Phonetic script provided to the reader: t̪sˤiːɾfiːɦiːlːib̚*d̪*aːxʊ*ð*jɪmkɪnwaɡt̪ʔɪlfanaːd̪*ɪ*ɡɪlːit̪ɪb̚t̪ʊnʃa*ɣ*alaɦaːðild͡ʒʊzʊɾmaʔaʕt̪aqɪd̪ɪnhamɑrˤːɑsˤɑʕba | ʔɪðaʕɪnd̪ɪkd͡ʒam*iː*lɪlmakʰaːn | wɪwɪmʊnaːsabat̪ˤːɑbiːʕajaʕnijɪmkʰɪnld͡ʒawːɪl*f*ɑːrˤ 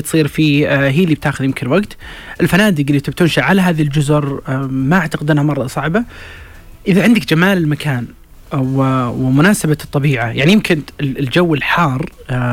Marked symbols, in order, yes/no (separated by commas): no, yes, yes, no, no, no